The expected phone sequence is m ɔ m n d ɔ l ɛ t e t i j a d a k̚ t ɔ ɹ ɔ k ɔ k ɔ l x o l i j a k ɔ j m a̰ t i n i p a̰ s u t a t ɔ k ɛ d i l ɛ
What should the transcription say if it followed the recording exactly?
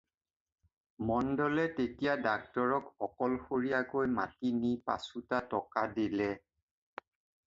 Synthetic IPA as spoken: m ɔ n d ɔ l ɛ t e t i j a d a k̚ t ɔ ɹ ɔ k ɔ k ɔ l x o ɹ i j a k o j m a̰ t i n i p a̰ s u t a t ɔ k a d i l ɛ